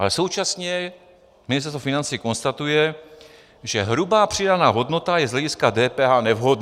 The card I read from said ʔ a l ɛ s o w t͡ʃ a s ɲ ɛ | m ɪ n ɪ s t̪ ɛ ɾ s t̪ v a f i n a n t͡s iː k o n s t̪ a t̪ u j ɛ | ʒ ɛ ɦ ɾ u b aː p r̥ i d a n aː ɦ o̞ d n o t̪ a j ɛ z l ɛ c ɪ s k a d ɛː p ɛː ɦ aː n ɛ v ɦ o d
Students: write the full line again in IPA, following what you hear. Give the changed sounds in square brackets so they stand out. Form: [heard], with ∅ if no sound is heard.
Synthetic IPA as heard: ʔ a l ɛ s o w t͡ʃ a s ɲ ɛ | m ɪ n ɪ s t̪ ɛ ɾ s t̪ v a f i n a n t͡s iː k o n s t̪ a t̪ u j ɛ | ʒ ɛ ɦ ɾ u b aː p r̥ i d a n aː ɦ o̞ d n o t̪ a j ɛ z l ɛ [ɟ] ɪ s k a d ɛː p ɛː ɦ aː n ɛ v ɦ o d